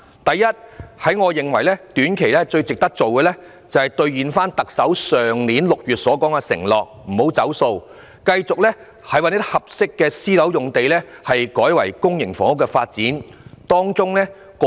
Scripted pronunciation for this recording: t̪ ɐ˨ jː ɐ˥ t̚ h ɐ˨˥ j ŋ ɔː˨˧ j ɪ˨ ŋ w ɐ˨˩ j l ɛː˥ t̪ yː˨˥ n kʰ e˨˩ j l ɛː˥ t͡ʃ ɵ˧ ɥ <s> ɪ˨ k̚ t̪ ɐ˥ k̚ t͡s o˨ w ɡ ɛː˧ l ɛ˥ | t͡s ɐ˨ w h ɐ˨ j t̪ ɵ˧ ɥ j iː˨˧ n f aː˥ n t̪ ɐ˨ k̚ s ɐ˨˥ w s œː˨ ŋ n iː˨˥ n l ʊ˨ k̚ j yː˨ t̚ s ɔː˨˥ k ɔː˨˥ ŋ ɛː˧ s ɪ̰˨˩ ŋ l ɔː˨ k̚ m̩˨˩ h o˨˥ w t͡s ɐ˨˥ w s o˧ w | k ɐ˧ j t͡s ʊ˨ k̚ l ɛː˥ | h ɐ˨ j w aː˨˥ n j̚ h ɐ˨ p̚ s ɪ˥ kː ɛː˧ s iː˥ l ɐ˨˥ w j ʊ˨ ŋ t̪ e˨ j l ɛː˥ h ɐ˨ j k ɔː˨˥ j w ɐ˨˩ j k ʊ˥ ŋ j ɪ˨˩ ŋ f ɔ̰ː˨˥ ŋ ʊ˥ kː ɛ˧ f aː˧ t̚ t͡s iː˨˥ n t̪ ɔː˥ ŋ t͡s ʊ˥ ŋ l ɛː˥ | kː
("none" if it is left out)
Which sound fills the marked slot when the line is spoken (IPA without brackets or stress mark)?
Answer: t͡s